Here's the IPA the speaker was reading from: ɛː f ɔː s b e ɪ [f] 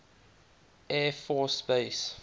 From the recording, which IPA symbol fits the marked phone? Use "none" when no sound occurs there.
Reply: s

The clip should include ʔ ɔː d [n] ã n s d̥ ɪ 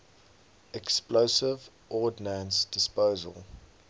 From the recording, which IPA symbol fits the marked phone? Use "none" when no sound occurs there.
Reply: n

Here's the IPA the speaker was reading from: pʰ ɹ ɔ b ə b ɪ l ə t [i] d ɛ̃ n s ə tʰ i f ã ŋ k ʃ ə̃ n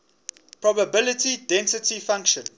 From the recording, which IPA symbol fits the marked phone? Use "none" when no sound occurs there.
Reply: i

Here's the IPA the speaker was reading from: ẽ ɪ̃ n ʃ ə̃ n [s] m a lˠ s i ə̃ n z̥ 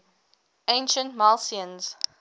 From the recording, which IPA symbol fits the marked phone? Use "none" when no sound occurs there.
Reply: t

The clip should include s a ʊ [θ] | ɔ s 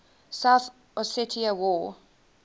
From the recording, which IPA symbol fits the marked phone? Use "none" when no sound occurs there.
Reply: θ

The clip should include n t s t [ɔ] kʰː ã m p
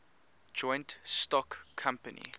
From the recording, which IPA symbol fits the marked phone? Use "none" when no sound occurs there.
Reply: ɔ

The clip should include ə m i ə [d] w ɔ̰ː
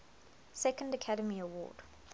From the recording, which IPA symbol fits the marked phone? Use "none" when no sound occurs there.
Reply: none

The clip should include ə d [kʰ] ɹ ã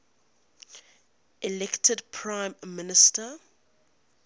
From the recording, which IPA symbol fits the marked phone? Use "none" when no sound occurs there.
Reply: pʰ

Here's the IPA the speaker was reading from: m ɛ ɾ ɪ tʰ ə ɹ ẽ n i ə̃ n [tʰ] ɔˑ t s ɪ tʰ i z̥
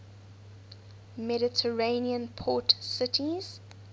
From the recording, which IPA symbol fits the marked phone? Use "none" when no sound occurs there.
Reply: pʰ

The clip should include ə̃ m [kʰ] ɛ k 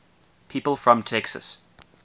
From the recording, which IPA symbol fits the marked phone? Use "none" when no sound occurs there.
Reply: tʰ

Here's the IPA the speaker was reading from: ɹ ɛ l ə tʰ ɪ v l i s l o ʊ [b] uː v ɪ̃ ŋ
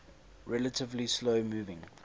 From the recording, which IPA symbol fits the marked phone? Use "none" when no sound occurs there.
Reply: m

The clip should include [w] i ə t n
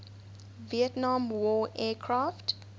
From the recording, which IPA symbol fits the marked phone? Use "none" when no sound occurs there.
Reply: v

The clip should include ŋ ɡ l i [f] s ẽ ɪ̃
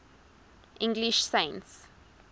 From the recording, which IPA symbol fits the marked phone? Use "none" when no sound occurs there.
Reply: ʃ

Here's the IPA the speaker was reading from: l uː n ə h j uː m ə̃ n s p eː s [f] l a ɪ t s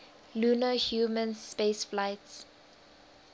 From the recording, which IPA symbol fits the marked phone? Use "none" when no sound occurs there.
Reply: f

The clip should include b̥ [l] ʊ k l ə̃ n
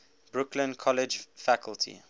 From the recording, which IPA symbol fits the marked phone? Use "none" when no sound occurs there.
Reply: ɹ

